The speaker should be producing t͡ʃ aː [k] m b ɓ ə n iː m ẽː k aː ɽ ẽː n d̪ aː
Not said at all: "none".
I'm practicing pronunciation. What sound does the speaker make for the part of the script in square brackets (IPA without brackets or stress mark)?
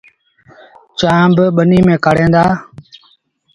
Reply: none